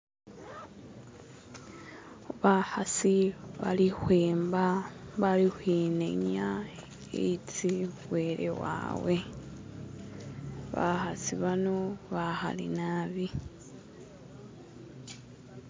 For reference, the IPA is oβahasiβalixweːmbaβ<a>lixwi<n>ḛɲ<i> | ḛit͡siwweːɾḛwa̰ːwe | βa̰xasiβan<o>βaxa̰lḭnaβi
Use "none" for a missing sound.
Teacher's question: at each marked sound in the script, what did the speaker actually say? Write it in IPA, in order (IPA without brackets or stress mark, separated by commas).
a, n, a, o